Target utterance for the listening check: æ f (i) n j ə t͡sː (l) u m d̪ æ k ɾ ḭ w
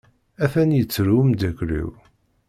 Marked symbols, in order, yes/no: no, no

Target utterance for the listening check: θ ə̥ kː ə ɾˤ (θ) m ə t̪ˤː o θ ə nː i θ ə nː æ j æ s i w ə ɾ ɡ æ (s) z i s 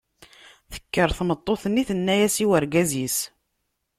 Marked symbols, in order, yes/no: yes, no

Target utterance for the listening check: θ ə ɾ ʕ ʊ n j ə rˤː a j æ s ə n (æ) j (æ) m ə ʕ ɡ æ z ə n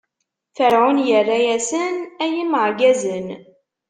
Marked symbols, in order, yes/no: yes, no

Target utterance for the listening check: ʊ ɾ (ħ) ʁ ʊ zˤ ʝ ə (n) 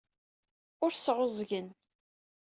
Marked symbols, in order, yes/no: no, yes

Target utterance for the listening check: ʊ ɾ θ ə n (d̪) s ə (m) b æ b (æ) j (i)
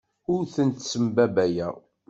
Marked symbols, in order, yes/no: no, yes, yes, no

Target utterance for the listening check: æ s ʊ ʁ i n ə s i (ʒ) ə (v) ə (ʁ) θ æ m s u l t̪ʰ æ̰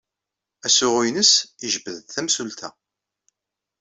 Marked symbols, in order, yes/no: yes, no, no

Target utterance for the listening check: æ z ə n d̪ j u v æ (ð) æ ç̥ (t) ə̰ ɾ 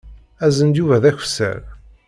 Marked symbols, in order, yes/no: yes, no

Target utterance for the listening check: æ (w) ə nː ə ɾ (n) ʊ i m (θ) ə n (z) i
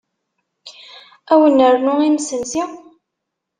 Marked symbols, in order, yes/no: yes, yes, no, no

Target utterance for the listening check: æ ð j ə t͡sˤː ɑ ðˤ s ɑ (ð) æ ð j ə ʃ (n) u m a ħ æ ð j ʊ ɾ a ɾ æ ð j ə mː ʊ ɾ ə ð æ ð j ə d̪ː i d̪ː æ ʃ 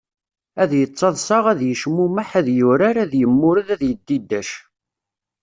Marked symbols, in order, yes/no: no, no

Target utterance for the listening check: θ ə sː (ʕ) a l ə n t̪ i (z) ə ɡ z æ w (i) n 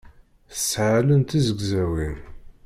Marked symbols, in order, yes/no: yes, yes, yes

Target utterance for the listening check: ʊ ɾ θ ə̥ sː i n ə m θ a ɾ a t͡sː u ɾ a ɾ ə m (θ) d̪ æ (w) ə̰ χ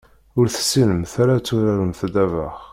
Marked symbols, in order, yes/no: yes, no

